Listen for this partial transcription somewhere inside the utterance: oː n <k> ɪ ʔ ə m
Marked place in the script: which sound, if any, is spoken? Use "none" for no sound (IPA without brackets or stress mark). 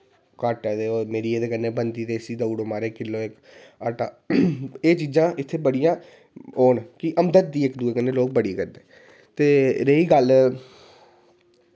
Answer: k